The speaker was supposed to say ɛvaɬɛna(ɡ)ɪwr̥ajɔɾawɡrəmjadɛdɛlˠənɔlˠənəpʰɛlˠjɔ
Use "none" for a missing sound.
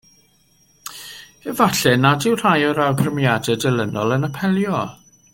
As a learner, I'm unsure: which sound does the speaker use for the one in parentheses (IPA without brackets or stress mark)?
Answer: d